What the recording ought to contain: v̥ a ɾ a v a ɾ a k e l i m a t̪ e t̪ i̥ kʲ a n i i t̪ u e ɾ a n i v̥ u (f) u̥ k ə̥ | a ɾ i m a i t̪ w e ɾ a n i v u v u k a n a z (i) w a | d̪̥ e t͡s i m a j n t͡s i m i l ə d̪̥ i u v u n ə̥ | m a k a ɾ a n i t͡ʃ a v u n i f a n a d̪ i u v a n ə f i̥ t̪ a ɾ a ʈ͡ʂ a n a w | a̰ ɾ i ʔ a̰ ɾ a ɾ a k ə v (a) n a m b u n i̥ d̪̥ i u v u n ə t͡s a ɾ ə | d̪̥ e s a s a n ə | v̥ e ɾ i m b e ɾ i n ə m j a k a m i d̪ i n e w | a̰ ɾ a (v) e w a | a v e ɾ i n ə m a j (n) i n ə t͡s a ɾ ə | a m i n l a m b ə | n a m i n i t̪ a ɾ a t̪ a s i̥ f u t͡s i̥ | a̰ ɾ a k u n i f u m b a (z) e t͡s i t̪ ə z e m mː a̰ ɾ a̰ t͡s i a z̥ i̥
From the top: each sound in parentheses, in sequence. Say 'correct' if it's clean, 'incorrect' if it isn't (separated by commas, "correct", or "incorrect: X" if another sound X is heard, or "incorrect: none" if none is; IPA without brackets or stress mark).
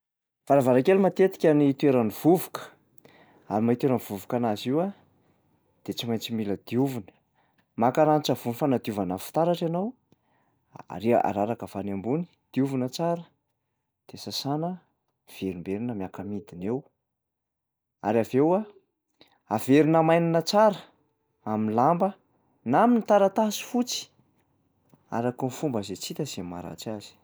incorrect: v, correct, correct, correct, correct, correct